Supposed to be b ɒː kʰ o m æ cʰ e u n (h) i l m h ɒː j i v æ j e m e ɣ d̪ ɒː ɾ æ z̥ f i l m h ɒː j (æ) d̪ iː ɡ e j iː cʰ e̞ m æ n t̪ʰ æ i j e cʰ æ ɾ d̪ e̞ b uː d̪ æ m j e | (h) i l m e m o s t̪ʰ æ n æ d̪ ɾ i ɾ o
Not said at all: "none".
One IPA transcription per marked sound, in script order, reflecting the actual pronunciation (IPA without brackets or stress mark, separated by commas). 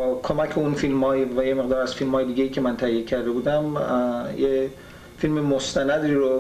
f, e, f